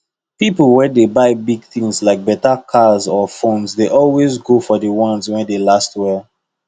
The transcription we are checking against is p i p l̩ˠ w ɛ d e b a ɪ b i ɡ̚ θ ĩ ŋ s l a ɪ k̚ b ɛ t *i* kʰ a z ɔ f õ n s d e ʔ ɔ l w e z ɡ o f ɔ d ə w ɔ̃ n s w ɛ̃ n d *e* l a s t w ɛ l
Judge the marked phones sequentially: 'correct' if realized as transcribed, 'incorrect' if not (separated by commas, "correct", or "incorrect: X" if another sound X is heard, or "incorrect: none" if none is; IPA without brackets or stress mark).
incorrect: a, correct